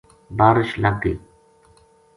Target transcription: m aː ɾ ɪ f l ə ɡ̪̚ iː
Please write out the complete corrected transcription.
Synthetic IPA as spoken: b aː ɾ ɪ ʃ l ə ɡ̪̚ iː